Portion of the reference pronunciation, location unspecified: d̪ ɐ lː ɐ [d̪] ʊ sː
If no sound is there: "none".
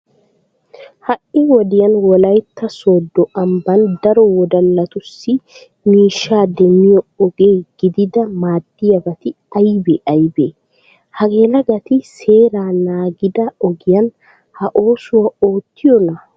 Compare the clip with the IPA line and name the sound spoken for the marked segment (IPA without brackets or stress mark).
t̪